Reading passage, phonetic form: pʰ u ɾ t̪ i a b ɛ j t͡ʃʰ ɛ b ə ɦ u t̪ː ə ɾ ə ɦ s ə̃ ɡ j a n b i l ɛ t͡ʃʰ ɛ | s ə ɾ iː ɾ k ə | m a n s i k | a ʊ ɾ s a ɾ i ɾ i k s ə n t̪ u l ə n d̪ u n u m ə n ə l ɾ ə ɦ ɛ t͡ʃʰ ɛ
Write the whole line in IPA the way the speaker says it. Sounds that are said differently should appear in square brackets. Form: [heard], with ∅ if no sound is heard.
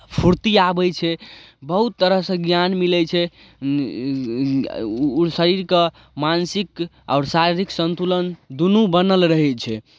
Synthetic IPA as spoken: pʰ u ɾ t̪ i a b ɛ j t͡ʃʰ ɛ b ə ɦ u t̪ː ə ɾ ə ɦ s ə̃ ɡ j a n [m] i l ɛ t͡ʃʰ ɛ | s ə ɾ [i] ɾ k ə | m a n s i k | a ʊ ɾ s a ɾ i ɾ i k s ə n t̪ u l ə n d̪ u n u [b] ə n ə l ɾ ə ɦ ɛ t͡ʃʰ ɛ

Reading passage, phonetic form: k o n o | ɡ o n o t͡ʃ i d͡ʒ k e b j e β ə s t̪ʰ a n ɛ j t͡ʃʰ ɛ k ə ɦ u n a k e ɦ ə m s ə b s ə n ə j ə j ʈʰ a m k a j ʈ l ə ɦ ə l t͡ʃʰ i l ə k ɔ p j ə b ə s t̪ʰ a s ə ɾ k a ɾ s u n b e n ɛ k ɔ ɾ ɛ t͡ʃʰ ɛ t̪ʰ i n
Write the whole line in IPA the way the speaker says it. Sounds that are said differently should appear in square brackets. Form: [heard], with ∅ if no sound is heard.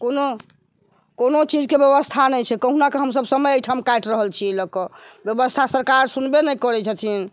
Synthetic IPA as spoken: k o n o | [k] o n o t͡ʃ i d͡ʒ k e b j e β ə s t̪ʰ a n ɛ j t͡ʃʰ ɛ k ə ɦ u n a k e ɦ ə m s ə b s ə [m] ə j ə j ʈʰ a m k a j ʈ [ɾ] ə ɦ ə l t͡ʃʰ i l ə k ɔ [b] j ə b ə s t̪ʰ a s ə ɾ k a ɾ s u n b e n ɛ k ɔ ɾ ɛ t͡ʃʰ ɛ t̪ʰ i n

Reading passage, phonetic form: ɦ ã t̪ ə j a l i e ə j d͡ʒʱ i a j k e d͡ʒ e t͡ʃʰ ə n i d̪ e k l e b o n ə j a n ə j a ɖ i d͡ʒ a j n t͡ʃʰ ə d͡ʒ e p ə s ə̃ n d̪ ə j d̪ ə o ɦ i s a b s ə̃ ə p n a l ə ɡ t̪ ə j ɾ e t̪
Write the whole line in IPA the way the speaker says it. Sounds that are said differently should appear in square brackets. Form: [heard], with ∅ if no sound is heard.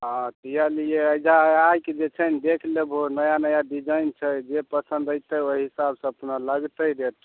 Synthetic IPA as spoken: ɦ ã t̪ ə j a l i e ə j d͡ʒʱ [a] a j k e d͡ʒ e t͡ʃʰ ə n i d̪ e [kʰ] l e b o n ə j a n ə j a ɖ i d͡ʒ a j n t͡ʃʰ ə d͡ʒ e p ə s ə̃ n d̪ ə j [t̪] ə o ɦ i s a b s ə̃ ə p n a l ə ɡ t̪ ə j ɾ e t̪

